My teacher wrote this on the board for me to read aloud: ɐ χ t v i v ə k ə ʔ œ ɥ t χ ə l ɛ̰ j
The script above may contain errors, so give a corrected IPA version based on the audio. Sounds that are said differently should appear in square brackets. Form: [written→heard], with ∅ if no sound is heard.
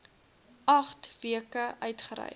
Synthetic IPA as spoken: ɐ χ t v i [v→∅] ə k ə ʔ œ ɥ t χ ə [l→ɾ] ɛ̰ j